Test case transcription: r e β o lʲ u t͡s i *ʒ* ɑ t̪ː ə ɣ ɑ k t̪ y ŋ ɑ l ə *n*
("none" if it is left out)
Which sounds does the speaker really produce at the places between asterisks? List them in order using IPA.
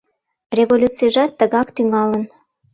ʒ, n

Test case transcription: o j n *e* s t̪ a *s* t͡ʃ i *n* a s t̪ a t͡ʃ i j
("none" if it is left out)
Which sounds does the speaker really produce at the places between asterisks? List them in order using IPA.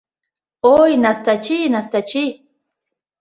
a, none, n

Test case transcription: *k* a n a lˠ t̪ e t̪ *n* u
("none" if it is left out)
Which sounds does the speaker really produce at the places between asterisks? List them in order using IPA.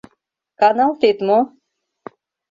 k, m

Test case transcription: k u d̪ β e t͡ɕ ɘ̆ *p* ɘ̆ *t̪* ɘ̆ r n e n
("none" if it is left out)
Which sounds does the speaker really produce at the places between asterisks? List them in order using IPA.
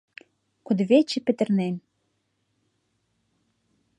p, t̪

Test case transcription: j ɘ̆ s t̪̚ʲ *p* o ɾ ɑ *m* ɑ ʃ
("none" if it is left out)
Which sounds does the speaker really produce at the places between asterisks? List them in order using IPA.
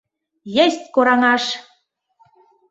k, ŋ

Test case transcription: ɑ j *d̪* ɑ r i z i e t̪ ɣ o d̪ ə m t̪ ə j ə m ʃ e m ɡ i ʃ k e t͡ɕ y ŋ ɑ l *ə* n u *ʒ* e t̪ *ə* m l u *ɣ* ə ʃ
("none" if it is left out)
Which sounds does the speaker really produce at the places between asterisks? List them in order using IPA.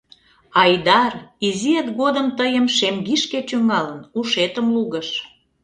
d̪, ə, ʃ, ə, ɣ

